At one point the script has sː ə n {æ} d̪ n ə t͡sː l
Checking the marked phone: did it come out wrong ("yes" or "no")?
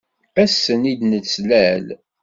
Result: yes